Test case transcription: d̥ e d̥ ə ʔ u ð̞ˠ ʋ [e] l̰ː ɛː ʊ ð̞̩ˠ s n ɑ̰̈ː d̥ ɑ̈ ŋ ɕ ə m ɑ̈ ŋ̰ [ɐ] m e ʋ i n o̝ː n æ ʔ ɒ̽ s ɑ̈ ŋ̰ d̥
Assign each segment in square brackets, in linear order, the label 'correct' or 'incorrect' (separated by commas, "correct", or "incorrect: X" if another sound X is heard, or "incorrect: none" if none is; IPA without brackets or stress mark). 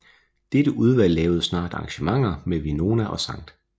incorrect: æ, correct